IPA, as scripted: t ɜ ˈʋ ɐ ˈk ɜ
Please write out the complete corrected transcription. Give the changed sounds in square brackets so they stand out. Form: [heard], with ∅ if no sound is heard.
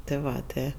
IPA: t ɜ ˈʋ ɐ [ˈt] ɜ